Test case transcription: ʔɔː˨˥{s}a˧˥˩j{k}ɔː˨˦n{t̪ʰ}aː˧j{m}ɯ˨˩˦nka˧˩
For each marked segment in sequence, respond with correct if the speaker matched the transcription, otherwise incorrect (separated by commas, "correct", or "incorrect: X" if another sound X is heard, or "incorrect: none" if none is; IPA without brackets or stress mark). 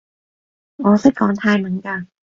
correct, correct, correct, correct